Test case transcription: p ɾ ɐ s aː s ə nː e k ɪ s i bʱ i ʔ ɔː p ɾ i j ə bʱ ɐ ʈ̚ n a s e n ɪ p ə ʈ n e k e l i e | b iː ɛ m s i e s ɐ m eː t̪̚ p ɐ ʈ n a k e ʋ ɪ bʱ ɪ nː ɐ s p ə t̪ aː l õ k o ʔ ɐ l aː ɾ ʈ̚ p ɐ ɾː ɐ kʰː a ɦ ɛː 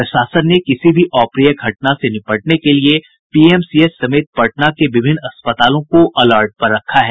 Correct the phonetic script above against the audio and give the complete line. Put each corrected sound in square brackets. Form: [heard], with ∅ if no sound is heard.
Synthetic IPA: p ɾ ɐ [ʃ] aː s ə nː e k ɪ s i bʱ i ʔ ɔː p ɾ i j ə [ɡʱ] ɐ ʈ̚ n a s e n ɪ p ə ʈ n e k e l i e | [p] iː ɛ m s i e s ɐ m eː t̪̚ p ɐ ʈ n a k e ʋ ɪ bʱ ɪ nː ɐ s p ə t̪ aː l õ k o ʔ ɐ l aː ɾ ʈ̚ p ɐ ɾː ɐ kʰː a ɦ ɛː